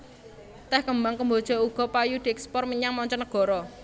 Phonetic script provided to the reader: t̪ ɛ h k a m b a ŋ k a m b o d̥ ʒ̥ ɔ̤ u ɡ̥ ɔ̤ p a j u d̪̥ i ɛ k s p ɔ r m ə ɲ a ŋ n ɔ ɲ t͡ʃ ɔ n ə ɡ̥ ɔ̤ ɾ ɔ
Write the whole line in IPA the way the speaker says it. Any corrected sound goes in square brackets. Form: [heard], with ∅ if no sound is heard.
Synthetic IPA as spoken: t̪ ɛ h k [ə] m b a ŋ k [ə] m b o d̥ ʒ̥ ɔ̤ u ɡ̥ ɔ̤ p a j u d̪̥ i ɛ k s p ɔ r m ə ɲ a ŋ [m] ɔ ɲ t͡ʃ ɔ n ə ɡ̥ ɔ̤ ɾ ɔ